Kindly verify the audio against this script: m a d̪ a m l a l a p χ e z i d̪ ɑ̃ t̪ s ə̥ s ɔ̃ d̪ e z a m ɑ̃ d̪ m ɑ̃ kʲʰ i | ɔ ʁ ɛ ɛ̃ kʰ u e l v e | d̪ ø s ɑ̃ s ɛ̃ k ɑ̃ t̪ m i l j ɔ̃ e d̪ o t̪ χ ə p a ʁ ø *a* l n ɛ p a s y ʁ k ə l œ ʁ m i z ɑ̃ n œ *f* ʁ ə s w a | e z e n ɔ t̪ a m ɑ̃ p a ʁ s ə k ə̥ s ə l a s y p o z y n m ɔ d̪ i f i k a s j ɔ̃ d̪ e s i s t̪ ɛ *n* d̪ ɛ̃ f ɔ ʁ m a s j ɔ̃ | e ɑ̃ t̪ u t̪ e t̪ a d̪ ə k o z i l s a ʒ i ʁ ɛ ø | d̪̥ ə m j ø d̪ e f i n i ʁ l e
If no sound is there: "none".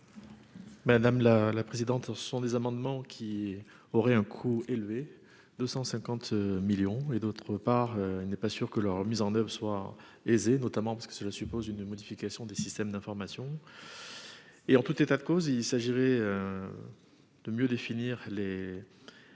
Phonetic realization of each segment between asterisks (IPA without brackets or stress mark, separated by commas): i, v, m